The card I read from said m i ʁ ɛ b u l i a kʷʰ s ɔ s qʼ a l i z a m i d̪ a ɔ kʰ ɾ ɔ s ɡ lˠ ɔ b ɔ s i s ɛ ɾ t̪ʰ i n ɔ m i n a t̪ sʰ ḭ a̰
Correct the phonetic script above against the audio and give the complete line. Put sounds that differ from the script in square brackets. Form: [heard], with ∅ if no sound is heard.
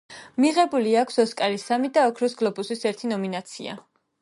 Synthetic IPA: m i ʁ ɛ b u l i a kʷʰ s ɔ s [kʼ] a l i [s] a m i d̪ a ɔ kʰ ɾ ɔ s ɡ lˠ ɔ b [u] s i s ɛ ɾ t̪ʰ i n ɔ m i n a t̪ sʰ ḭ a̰